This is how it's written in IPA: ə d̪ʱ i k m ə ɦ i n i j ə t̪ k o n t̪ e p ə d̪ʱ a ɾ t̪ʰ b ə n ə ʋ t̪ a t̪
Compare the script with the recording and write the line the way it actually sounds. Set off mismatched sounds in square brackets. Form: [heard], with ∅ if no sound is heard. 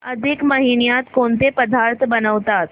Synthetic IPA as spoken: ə d̪ʱ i k m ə ɦ i n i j [a] t̪ k o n t̪ e p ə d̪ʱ a ɾ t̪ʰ b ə n ə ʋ t̪ a t̪